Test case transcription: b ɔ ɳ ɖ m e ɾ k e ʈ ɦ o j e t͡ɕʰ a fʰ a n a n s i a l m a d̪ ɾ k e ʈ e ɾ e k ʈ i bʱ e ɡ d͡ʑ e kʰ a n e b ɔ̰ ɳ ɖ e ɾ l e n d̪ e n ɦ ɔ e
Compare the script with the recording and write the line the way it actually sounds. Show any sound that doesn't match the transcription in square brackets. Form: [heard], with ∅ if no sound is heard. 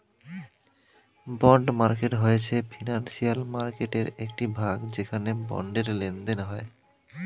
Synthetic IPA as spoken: b ɔ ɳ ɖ m [a] ɾ k e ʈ ɦ o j e t͡ɕʰ [e] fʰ [i] n a n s i a l m a [∅] ɾ k e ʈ e ɾ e k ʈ i bʱ [a] ɡ d͡ʑ e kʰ a n e b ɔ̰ ɳ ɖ e ɾ l e n d̪ e n ɦ ɔ e